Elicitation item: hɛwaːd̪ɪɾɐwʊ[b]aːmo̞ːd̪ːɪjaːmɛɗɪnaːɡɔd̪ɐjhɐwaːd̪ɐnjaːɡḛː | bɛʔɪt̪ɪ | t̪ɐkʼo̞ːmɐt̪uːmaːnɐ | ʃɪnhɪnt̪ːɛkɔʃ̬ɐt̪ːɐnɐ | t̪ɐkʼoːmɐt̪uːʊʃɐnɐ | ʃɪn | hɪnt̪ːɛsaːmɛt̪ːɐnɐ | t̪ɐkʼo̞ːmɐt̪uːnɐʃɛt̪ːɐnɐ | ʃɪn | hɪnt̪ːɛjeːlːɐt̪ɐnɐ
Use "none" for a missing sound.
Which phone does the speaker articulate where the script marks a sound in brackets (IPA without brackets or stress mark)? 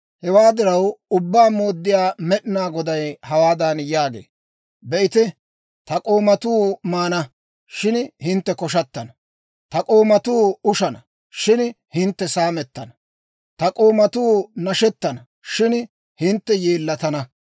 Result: bː